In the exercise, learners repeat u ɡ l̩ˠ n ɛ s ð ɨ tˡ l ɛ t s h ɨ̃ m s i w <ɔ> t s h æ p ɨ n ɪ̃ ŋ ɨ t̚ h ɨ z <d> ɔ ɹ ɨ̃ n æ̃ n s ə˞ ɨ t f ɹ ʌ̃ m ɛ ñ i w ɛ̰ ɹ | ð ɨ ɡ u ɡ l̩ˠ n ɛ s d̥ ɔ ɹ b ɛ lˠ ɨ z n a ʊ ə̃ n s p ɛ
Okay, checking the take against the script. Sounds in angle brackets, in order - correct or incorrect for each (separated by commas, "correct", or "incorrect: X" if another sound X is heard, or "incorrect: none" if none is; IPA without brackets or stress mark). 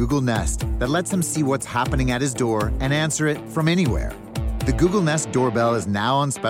incorrect: ʌ, correct